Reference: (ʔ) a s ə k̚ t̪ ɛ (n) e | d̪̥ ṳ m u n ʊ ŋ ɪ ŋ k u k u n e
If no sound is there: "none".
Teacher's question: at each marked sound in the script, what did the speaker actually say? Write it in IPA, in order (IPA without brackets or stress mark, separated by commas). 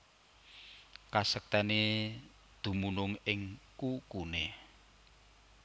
k, n